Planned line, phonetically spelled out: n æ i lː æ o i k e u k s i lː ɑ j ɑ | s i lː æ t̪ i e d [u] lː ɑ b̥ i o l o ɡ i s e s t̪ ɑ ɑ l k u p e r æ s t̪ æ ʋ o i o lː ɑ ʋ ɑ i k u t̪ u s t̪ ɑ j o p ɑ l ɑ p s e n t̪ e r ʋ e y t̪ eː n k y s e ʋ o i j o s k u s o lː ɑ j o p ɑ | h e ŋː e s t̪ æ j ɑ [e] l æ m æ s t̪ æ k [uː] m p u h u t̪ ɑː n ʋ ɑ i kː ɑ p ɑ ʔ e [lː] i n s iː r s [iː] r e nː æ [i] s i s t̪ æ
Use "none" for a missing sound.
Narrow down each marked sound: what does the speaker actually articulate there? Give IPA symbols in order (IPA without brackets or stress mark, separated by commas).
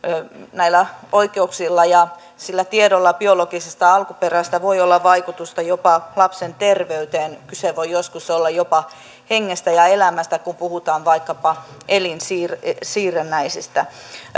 o, e, u, l, iː, i